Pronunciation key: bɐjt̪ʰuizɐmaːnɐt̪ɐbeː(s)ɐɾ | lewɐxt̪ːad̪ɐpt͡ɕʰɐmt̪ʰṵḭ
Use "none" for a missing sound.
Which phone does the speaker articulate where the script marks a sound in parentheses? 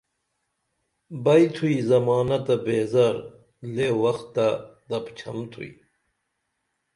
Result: z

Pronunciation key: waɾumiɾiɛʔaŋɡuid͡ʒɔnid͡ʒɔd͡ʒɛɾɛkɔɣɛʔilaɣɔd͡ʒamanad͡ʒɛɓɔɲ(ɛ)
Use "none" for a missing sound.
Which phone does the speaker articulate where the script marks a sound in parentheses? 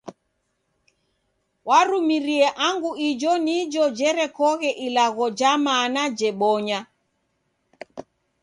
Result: a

